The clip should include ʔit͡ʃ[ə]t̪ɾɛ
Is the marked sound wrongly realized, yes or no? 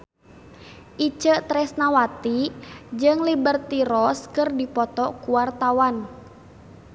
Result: no